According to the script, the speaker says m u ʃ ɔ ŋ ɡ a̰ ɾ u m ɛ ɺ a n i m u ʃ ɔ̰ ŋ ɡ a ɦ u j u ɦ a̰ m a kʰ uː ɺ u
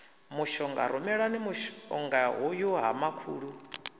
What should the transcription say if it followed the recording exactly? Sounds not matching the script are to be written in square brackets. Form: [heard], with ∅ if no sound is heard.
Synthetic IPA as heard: m u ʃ ɔ ŋ ɡ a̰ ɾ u m ɛ ɺ a n i m u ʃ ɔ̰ ŋ ɡ a ɦ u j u ɦ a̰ m a kʰ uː ɺ u